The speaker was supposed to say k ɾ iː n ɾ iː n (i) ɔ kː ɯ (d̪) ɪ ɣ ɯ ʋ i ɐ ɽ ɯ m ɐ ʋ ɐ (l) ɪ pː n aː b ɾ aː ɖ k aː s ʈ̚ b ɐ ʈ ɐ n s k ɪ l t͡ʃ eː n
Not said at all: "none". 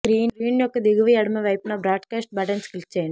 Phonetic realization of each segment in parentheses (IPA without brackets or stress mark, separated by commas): j, d̪, none